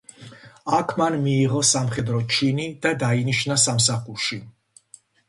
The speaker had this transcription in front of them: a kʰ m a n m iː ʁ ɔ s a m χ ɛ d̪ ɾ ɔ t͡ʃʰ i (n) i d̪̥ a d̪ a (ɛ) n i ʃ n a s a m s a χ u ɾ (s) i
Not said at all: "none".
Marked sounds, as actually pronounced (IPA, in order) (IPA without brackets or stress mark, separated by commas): n, i, ʃ